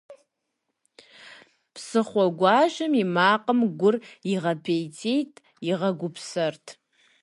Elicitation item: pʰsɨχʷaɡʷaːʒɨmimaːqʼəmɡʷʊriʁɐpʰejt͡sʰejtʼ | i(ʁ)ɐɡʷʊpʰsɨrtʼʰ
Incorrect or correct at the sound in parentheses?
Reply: correct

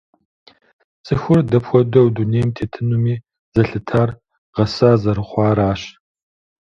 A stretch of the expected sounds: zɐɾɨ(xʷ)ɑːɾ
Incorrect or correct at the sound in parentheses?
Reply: incorrect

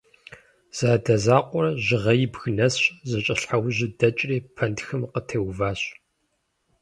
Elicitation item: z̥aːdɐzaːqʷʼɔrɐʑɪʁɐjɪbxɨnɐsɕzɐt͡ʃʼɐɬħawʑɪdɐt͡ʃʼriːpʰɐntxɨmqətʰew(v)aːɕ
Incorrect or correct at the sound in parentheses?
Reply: correct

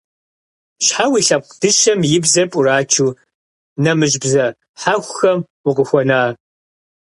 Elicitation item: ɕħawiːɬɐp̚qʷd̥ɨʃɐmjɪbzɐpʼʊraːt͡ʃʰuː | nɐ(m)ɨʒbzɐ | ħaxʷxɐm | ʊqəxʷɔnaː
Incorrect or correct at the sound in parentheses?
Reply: correct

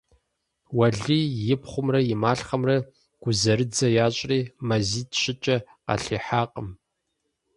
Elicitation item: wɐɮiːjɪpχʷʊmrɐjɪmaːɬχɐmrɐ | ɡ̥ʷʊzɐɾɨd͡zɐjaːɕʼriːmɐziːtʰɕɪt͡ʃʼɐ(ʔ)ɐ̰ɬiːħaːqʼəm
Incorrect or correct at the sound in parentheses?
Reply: incorrect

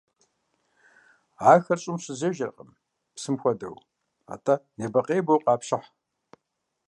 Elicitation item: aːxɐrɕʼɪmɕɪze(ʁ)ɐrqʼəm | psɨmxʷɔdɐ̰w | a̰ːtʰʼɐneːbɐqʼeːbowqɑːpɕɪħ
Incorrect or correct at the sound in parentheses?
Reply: incorrect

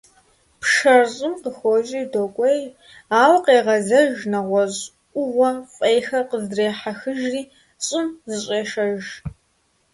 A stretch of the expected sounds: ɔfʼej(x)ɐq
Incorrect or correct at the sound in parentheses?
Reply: correct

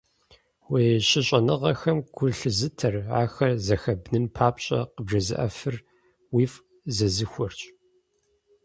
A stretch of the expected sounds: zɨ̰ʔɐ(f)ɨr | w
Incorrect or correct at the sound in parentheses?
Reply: correct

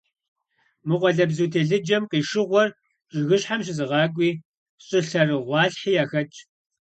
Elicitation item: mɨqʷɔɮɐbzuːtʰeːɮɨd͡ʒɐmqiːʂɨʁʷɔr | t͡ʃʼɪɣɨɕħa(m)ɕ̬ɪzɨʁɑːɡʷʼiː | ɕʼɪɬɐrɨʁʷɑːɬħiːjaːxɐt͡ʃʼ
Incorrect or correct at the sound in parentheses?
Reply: correct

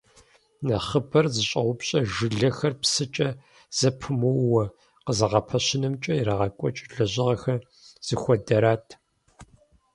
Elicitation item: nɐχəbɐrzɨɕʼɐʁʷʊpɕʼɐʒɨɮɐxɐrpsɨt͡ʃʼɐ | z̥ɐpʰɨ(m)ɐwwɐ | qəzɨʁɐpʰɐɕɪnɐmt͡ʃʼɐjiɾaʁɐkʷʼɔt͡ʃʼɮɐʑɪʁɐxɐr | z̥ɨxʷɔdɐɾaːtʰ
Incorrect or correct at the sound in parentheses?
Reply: correct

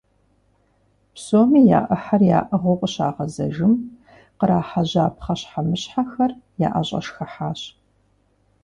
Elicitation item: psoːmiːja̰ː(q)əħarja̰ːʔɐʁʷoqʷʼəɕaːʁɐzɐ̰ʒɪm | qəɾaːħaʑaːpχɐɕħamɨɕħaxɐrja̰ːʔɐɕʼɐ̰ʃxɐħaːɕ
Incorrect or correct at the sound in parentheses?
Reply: incorrect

